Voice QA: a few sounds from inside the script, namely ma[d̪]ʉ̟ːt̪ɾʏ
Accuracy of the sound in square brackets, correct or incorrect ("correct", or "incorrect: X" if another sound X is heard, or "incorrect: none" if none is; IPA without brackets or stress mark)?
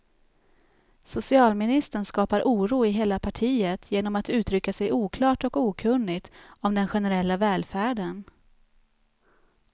incorrect: t̪